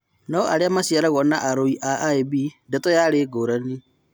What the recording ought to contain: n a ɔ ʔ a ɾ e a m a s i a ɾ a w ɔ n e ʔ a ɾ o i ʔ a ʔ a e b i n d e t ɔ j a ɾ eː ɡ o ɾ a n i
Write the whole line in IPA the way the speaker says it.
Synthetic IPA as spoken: n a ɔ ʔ a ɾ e a m a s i a ɾ a ɣ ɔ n a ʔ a ɾ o i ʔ a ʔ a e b i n d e t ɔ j a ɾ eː ɡ o ɾ a n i